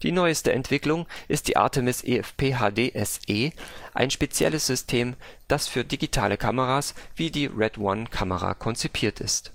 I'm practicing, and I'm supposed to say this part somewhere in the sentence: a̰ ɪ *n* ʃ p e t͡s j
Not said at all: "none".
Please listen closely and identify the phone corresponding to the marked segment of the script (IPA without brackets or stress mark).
n